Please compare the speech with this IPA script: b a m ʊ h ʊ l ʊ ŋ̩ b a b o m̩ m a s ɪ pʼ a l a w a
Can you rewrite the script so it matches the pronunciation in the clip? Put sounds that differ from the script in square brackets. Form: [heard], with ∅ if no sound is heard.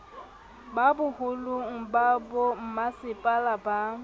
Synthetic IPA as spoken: b a [b] ʊ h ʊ l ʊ ŋ̩ b a b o m̩ m a s ɪ pʼ a l a [b] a